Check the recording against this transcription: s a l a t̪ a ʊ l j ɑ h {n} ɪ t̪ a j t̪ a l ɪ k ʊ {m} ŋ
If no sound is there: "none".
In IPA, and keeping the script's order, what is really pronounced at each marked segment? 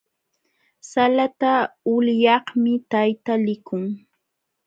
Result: m, none

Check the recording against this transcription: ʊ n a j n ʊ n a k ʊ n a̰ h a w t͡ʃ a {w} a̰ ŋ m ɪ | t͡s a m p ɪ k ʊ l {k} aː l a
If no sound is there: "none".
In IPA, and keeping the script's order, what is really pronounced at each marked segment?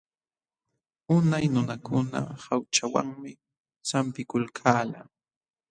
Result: w, kʰ

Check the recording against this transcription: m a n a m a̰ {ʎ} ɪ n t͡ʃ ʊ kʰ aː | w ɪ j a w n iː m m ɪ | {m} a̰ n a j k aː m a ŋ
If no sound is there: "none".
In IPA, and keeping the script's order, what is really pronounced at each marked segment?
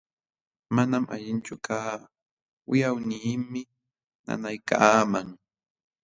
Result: ʎ, n

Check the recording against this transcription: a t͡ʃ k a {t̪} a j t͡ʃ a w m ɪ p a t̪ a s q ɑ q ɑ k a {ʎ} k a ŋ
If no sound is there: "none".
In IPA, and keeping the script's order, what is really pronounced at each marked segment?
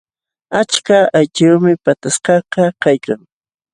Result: none, j

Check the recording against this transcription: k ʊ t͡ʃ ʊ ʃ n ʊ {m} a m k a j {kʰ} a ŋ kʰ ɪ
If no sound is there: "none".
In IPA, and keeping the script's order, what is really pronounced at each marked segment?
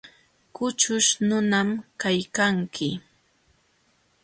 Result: n, k

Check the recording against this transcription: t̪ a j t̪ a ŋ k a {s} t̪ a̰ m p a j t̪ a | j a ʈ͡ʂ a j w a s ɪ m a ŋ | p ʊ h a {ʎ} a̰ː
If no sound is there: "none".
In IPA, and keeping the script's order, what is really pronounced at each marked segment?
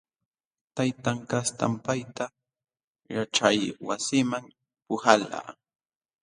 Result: s, l

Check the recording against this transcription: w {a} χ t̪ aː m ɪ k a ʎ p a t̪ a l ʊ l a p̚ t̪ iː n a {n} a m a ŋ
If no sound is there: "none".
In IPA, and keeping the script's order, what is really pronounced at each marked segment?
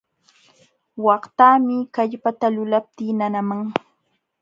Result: ɑ, n

